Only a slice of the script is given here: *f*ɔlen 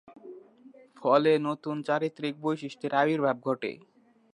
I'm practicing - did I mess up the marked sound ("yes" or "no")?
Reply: no